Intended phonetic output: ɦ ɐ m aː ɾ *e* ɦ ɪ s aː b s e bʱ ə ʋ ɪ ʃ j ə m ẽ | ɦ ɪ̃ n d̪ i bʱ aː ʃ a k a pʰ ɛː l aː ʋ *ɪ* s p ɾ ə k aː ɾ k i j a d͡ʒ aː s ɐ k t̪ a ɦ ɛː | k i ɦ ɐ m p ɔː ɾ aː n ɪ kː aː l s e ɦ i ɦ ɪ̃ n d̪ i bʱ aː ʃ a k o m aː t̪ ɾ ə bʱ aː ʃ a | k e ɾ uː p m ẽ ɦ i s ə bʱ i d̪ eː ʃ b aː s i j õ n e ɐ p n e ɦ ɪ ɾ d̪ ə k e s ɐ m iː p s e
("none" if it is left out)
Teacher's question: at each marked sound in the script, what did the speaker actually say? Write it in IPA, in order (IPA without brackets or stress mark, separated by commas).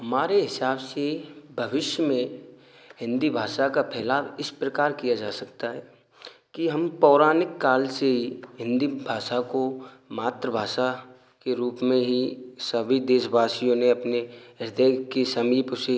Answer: e, ɪ